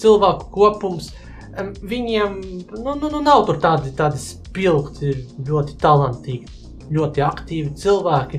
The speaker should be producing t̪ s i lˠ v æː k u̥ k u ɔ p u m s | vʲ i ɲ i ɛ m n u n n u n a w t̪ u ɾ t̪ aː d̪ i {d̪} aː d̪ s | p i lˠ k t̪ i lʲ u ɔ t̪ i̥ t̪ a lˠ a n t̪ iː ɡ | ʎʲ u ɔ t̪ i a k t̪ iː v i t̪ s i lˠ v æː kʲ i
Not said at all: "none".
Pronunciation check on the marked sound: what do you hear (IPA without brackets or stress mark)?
t̪